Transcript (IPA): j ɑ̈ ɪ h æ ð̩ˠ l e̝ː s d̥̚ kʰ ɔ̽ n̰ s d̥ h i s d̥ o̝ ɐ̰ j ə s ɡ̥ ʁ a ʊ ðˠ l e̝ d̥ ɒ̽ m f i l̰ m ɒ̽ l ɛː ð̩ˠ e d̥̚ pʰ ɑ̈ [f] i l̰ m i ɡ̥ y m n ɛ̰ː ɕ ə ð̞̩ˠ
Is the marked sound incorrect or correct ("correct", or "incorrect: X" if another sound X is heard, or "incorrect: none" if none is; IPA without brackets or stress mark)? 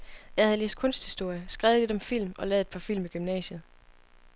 correct